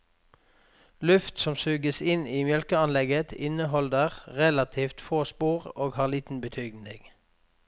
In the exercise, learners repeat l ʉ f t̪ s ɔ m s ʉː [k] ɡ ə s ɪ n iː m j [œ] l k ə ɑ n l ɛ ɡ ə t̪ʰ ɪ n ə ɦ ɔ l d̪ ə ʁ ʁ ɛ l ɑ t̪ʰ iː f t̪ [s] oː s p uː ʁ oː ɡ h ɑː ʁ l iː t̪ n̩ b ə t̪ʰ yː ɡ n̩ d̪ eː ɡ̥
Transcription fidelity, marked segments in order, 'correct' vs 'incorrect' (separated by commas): incorrect, correct, incorrect